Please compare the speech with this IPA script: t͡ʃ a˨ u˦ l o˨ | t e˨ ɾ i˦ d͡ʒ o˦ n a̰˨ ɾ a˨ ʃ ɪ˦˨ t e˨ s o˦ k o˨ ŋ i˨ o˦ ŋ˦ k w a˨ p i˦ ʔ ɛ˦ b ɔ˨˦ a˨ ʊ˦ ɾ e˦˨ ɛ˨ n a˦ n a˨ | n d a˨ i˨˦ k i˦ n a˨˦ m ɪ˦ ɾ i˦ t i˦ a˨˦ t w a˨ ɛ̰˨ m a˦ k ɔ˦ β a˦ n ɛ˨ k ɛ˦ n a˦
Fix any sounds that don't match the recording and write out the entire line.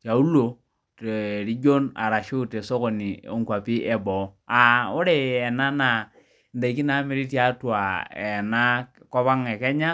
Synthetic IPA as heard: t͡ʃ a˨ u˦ l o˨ | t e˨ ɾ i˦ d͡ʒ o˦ n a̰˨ ɾ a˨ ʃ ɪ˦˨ t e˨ s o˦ k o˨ n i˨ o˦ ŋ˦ k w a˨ p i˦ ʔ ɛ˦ b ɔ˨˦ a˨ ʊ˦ ɾ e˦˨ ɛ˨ n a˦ n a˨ | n d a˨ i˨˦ k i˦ n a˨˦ m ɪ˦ ɾ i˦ t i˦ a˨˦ t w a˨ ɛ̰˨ n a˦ k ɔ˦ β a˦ ŋ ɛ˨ k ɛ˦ ɲ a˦